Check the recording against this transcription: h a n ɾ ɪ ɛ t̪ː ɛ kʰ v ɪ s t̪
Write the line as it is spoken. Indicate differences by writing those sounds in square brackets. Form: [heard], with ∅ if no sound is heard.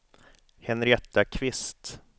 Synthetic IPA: h [ɛ] n ɾ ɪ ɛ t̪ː [a] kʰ v ɪ s t̪